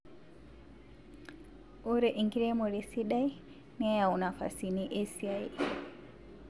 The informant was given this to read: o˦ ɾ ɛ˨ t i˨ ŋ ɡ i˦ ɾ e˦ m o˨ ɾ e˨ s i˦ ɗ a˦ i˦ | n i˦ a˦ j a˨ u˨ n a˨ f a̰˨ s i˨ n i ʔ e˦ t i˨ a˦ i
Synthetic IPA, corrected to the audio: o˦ ɾ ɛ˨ ʔ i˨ ŋ ɡ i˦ ɾ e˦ m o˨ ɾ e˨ s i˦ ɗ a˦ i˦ | n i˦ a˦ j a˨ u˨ n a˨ f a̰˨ s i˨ n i ʔ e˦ s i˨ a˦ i